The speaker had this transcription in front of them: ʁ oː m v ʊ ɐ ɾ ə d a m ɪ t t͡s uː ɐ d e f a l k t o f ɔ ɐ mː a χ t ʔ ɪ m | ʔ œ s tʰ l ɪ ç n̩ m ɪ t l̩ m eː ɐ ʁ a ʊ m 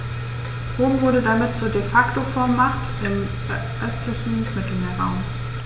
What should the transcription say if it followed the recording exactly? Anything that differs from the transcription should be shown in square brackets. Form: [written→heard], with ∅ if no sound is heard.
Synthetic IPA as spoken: ʁ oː m v ʊ ɐ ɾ ə d a m ɪ t t͡s uː ɐ d e f a [l→∅] k t o f ɔ ɐ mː a χ t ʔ ɪ m | ʔ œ s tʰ l ɪ ç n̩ m ɪ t l̩ m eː ɐ ʁ a ʊ m